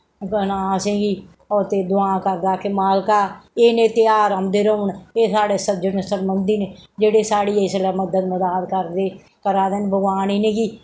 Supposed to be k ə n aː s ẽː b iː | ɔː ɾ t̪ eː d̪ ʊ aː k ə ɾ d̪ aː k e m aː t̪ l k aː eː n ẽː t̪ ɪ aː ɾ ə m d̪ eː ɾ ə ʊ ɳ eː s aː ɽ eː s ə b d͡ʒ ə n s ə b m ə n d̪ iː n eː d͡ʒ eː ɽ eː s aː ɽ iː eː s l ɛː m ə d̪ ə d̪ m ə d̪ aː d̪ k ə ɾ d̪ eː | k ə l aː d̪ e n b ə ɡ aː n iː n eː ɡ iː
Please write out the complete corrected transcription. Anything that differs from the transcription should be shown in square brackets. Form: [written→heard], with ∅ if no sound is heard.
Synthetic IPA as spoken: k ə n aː s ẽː [b→ɡ] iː | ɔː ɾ t̪ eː d̪ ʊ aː k ə ɾ d̪ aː k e m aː [t̪→∅] l k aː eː n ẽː t̪ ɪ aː ɾ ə m d̪ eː ɾ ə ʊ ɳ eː s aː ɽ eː s ə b d͡ʒ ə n s ə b m ə n d̪ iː n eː d͡ʒ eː ɽ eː s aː ɽ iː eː s l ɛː m ə d̪ ə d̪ m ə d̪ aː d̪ k ə ɾ d̪ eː | k ə [l→ɾ] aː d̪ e n b ə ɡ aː n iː n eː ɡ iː